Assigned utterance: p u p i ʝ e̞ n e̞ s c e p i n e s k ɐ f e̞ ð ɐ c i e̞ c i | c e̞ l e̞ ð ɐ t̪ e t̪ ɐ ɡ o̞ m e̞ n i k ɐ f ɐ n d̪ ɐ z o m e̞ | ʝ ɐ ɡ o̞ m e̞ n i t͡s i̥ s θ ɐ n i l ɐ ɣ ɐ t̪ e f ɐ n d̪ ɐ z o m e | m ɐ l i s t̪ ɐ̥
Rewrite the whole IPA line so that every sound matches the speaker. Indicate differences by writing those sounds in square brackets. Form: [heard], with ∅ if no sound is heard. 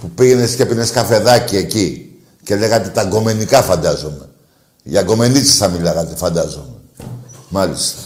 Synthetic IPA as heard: p u p i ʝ e̞ n e̞ s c e p i n e s k ɐ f e̞ ð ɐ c i e̞ c i | c e̞ l e̞ [ɣ] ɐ t̪ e t̪ ɐ ɡ o̞ m e̞ n i k ɐ f ɐ n d̪ ɐ z o m e̞ | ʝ ɐ ɡ o̞ m e̞ n i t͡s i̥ s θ ɐ [m] i l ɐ ɣ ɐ t̪ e f ɐ n d̪ ɐ z o m e | m ɐ l i s t̪ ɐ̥